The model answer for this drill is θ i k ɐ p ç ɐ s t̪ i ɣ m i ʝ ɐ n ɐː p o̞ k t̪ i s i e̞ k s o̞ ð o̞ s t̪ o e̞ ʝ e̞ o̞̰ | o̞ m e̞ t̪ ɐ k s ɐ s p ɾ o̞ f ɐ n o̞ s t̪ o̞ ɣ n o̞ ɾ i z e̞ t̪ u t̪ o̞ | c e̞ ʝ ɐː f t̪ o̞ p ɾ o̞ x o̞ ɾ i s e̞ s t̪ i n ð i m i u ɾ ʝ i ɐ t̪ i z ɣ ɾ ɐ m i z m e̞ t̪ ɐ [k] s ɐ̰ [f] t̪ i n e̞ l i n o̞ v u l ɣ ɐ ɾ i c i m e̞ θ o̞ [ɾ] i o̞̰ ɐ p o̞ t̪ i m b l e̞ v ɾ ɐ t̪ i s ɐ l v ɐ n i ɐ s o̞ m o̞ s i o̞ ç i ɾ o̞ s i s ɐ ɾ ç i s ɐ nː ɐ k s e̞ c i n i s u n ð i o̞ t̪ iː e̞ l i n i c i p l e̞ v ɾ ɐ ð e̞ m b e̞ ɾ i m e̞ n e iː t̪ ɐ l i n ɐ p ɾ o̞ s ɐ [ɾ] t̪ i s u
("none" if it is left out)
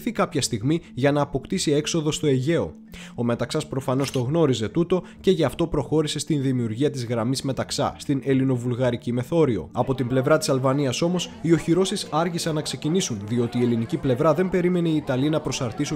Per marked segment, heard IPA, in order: k, s, ɾ, ɾ

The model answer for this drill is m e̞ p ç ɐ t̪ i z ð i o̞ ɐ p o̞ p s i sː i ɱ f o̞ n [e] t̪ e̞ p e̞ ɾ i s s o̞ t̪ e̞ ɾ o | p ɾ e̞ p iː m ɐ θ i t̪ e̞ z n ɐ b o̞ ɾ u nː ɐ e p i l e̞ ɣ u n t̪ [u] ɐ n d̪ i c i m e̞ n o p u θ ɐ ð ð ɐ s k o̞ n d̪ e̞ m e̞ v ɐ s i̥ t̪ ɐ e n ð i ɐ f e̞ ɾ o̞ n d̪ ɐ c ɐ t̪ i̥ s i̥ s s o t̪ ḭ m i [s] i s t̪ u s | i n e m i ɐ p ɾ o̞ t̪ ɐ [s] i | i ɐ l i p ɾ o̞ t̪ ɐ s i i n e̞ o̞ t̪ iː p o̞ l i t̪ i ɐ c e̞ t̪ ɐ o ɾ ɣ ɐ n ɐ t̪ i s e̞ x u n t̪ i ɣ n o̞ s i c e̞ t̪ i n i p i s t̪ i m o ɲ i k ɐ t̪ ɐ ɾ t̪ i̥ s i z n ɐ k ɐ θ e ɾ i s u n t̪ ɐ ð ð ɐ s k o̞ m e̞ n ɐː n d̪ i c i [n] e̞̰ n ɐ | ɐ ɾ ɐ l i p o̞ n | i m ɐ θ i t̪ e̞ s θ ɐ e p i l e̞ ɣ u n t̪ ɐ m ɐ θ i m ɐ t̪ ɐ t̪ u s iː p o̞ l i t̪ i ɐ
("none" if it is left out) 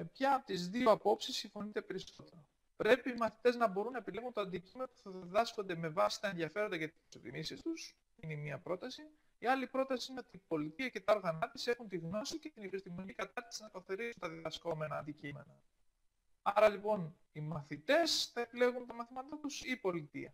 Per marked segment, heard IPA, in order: i, o, s, s, m

